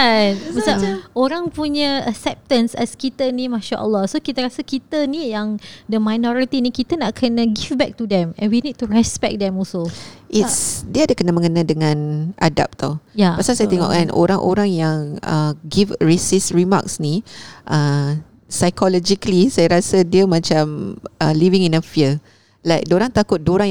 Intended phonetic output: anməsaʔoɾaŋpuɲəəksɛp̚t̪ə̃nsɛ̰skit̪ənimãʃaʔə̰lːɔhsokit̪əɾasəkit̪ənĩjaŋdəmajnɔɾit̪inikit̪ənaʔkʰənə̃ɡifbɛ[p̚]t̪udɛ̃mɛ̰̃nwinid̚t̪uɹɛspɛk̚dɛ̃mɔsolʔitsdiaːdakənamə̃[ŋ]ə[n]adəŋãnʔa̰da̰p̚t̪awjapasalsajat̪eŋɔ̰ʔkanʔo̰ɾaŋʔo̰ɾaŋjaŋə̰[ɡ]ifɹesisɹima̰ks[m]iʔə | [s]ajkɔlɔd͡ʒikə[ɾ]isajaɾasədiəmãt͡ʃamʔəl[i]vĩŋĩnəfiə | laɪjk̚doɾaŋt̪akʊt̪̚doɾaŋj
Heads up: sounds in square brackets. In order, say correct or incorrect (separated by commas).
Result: incorrect, correct, correct, correct, incorrect, correct, incorrect, correct